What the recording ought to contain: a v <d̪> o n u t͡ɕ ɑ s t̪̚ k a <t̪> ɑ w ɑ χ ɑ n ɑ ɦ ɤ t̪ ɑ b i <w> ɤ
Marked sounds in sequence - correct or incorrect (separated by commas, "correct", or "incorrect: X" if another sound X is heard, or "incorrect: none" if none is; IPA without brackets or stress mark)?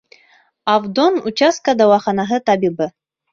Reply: correct, incorrect: d̪, incorrect: b